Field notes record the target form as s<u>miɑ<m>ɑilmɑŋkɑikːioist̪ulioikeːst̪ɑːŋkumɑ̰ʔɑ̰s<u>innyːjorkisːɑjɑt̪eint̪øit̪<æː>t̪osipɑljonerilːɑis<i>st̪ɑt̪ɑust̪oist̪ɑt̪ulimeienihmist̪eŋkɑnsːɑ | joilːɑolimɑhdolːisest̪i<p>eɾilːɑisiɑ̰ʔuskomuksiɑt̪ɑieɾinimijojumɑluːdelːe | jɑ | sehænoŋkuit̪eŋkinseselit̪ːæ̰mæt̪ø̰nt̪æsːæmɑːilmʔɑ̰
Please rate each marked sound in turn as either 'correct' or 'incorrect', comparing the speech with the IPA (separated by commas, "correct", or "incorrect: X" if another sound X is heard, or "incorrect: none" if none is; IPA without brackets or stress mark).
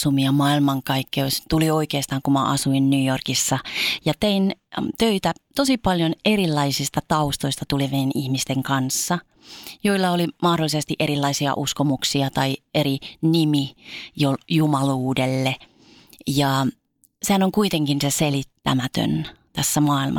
correct, correct, correct, incorrect: æ, correct, incorrect: ʔ